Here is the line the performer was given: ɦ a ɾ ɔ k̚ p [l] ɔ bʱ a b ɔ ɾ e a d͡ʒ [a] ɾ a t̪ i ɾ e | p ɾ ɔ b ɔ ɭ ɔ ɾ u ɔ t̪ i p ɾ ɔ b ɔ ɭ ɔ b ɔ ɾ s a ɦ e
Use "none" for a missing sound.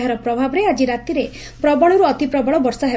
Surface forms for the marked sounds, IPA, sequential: ɾ, i

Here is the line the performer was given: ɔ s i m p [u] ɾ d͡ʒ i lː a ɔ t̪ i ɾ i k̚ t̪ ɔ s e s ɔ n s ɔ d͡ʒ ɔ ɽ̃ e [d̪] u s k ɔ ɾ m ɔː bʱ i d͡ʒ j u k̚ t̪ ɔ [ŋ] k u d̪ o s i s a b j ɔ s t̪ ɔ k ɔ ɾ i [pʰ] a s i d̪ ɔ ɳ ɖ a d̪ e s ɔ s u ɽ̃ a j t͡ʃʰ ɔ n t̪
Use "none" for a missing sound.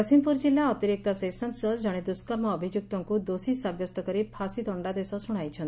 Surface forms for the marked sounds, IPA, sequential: u, d̪, ŋ, pʰ

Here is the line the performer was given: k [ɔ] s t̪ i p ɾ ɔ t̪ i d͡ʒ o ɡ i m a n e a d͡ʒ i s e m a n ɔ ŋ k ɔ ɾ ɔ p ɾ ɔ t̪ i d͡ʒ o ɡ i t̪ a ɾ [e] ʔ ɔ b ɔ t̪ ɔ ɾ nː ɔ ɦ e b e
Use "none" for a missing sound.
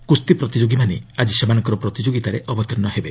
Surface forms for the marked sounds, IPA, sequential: u, e

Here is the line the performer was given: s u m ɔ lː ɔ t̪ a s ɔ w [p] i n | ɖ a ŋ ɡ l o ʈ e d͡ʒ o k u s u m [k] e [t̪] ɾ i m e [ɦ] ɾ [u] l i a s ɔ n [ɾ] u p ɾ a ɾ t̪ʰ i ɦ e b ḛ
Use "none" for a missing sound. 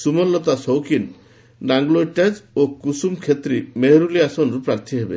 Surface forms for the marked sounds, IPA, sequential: k, kʰ, t̪, ɦ, u, ɾ

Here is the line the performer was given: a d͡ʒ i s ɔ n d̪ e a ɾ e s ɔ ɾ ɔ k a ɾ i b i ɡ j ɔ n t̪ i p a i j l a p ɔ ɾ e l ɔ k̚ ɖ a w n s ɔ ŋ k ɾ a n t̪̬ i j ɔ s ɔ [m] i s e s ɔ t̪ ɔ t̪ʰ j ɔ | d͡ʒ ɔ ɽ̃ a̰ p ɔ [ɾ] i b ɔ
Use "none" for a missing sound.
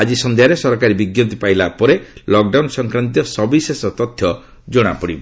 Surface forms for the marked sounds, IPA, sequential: b, ɽ

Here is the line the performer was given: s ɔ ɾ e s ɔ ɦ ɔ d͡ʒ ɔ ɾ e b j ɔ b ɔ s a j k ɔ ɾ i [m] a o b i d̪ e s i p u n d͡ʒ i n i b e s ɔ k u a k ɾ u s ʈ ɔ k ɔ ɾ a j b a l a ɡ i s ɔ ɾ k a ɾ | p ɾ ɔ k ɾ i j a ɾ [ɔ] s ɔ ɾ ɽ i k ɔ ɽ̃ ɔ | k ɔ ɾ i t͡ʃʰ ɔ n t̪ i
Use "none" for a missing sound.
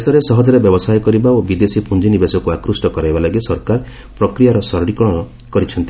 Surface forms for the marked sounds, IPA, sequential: b, ɔ

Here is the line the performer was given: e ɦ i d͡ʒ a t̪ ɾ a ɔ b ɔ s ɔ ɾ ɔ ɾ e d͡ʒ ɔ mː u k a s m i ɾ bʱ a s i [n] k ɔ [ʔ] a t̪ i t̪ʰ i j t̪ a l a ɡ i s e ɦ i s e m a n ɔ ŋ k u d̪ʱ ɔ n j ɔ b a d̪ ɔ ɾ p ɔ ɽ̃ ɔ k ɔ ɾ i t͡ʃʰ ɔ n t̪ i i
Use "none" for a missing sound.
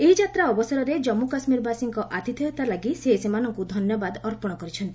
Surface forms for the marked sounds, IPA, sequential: ŋ, ʔ

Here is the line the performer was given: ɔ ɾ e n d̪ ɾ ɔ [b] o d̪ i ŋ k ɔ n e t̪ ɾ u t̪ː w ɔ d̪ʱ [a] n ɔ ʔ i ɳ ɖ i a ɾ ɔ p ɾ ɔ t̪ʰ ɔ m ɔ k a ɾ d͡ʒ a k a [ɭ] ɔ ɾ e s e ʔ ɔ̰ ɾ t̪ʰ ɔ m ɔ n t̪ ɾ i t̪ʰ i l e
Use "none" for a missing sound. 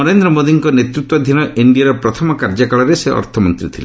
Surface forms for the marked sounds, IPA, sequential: m, i, ɭ

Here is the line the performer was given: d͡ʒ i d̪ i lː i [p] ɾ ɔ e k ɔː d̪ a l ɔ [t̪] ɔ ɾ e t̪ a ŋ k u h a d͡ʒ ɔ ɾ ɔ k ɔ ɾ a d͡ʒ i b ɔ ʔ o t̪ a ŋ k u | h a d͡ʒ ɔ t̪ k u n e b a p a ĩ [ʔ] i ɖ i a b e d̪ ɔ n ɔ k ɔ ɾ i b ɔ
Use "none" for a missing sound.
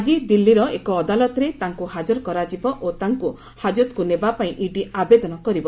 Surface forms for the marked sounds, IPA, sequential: none, t̪, ʔ

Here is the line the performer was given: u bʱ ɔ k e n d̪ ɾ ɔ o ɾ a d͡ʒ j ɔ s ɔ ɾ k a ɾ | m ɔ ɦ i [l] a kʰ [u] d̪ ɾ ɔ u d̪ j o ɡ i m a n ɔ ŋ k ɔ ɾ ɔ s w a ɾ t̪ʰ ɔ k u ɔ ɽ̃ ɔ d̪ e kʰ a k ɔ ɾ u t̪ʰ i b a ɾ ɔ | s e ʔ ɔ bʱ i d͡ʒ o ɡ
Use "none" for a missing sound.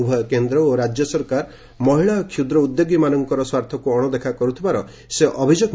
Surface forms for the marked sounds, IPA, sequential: ɭ, u

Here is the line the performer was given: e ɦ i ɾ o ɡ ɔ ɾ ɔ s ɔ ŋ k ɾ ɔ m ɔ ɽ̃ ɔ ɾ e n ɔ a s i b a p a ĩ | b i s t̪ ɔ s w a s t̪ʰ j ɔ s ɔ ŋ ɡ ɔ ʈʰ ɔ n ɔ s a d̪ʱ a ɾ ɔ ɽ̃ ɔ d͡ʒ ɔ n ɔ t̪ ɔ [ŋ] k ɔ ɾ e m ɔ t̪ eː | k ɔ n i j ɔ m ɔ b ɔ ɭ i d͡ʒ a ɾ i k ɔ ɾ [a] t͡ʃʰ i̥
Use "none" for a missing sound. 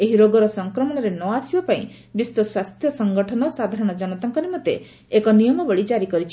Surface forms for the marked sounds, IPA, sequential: ŋ, i

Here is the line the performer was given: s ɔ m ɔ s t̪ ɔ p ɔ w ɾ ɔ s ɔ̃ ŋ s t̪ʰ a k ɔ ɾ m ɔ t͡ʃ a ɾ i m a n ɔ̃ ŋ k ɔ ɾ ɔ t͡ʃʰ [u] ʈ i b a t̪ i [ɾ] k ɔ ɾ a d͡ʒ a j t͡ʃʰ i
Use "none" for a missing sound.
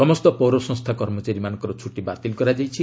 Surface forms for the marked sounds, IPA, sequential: u, l

